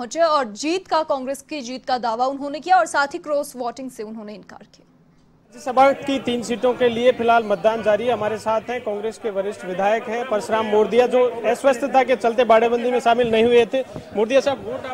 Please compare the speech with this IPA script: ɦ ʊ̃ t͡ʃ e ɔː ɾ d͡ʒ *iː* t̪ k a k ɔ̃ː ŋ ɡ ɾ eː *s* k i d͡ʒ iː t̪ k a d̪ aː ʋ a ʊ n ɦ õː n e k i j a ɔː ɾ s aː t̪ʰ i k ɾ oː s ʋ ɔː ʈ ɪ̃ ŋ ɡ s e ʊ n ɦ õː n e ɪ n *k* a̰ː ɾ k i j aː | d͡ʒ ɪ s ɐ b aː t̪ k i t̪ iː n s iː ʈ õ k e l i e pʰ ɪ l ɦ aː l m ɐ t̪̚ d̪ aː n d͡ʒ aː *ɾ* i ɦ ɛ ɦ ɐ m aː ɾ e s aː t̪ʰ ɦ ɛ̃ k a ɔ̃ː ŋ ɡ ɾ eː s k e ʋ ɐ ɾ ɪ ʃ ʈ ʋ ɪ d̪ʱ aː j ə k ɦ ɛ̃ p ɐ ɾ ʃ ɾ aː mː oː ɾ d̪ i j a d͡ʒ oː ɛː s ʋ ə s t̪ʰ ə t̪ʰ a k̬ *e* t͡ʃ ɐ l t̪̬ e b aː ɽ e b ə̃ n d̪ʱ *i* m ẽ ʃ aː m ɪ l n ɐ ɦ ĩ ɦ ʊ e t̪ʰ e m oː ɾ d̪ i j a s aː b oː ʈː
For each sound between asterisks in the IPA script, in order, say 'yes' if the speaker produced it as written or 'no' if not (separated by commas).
yes, yes, yes, yes, yes, yes